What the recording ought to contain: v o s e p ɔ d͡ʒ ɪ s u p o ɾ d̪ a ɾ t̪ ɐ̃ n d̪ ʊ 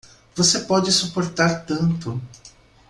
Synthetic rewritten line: v o s e p ɔ d͡ʒ ɪ s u p o ɾ t̪ a ɾ t̪ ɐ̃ n t̪ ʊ